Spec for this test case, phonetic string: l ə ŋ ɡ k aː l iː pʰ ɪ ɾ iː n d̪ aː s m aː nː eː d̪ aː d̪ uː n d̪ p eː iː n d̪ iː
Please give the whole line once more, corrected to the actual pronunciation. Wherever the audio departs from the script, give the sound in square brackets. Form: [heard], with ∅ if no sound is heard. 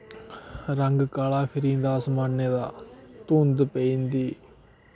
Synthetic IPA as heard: [ɾ] ə ŋ ɡ k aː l [aː] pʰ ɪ ɾ iː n d̪ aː s m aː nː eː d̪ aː [t̪] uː n d̪ p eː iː n d̪ iː

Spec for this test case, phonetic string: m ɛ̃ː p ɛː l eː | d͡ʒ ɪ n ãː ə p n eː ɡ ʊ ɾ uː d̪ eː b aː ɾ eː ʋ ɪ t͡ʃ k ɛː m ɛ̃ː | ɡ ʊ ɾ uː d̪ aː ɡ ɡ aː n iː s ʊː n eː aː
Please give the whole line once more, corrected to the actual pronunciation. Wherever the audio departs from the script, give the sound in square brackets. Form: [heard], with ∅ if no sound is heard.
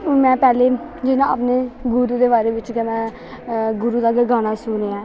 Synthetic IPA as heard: m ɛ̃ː p ɛː l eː | d͡ʒ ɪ n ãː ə p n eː ɡ ʊ ɾ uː d̪ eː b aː ɾ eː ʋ ɪ t͡ʃ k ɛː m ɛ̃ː | ɡ ʊ ɾ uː d̪ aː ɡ ɡ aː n [aː] s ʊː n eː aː

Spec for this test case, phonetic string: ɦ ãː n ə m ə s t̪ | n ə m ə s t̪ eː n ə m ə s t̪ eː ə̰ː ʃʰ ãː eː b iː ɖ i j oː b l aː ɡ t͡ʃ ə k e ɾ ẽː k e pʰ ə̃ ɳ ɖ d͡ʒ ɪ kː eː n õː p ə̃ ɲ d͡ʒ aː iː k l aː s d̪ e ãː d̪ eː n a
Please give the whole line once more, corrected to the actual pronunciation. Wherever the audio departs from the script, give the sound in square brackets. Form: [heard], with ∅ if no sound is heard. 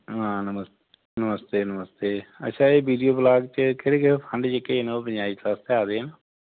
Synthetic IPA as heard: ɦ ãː n ə m ə s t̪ | n ə m ə s t̪ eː n ə m ə s t̪ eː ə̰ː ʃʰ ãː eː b iː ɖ i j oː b l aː ɡ t͡ʃ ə k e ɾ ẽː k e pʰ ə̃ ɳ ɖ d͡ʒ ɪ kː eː n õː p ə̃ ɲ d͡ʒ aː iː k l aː s [t̪] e [aː] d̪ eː n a

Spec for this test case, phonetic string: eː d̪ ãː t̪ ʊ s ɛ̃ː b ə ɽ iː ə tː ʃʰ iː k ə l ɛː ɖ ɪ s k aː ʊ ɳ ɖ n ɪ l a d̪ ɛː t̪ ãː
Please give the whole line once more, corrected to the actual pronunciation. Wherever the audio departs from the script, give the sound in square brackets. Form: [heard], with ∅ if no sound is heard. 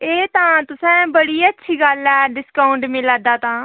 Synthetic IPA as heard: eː [t̪] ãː t̪ ʊ s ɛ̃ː b ə ɽ iː ə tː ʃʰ iː [ɡ] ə l ɛː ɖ ɪ s k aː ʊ ɳ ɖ [m] ɪ l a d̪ [aː] t̪ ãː

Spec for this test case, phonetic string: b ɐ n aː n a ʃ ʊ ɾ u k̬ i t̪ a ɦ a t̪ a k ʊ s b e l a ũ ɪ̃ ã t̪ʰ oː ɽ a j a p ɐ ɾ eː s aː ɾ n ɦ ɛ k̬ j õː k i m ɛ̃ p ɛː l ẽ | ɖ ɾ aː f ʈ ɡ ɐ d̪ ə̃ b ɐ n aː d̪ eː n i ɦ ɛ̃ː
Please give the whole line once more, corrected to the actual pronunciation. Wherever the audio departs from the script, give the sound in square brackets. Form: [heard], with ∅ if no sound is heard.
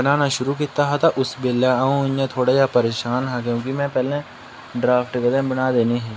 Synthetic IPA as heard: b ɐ n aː n a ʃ ʊ ɾ u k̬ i t̪ a ɦ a t̪ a [ʔ] ʊ s b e l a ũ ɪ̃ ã t̪ʰ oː ɽ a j a p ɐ ɾ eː [ʃ] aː [∅] n ɦ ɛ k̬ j õː k i m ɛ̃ p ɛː l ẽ | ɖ ɾ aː f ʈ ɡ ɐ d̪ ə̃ b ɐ n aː d̪ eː n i ɦ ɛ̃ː

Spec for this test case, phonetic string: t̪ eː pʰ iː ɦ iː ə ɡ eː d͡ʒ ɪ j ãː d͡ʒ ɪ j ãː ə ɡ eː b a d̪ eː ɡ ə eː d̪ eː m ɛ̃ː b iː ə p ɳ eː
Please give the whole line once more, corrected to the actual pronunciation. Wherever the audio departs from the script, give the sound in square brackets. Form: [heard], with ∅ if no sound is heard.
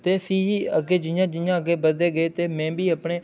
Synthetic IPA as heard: t̪ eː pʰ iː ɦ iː ə ɡ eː d͡ʒ ɪ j ãː d͡ʒ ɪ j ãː ə ɡ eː b [ə] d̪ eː ɡ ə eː [t̪] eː m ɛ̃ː b iː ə p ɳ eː

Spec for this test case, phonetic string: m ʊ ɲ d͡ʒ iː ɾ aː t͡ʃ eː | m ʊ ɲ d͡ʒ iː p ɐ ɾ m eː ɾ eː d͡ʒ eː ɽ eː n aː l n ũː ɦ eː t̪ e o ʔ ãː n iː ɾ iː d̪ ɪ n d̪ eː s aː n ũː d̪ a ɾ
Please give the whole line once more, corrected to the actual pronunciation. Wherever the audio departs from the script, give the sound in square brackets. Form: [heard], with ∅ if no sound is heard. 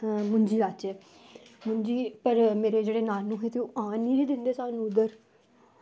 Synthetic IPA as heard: m ʊ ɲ d͡ʒ iː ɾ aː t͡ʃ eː | m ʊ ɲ d͡ʒ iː p [ə] ɾ m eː ɾ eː d͡ʒ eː ɽ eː n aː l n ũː ɦ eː t̪ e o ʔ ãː n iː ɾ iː d̪ ɪ n d̪ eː s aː n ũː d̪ [ə] ɾ

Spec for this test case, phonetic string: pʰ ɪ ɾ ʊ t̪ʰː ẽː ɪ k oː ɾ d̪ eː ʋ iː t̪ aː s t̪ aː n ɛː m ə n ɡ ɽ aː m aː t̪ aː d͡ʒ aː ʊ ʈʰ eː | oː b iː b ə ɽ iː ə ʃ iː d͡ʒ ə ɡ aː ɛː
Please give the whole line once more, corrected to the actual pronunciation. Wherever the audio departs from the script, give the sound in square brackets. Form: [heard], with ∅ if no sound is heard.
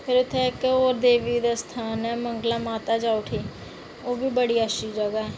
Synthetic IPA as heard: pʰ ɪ ɾ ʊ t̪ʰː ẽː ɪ k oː ɾ d̪ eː ʋ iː [d̪] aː s [t̪ʰ] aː n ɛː m ə [ŋ] ɡ [l] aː m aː t̪ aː d͡ʒ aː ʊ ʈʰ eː | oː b iː b ə ɽ iː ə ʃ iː d͡ʒ ə ɡ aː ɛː

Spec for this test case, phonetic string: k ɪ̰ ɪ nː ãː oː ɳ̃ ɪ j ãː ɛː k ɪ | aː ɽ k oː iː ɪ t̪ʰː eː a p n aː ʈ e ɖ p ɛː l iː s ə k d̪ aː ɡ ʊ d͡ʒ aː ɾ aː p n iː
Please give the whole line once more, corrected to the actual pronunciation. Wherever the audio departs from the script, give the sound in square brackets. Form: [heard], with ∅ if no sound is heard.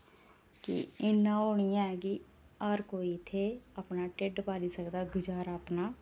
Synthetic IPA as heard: k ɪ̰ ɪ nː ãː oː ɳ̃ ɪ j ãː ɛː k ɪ | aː [ɾ] k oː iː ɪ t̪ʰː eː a p n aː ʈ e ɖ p [aː] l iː s ə k d̪ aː ɡ ʊ d͡ʒ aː ɾ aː p n [aː]

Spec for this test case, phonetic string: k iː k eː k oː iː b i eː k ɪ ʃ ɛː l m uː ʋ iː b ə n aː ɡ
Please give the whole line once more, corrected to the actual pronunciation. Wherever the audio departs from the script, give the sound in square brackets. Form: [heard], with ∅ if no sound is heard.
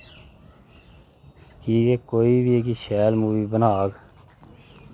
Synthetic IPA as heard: k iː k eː k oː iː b i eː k [i] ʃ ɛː l m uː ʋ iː b ə n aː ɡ

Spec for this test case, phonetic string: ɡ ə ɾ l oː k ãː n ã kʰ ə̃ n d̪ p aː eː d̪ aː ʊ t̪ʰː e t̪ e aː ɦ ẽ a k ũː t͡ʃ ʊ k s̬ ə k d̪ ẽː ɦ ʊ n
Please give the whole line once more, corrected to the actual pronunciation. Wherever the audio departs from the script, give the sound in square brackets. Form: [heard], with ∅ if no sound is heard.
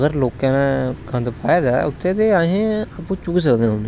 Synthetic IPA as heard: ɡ ə ɾ l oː k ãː n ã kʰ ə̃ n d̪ p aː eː d̪ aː ʊ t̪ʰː e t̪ e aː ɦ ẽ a [p] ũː t͡ʃ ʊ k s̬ ə k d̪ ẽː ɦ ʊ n

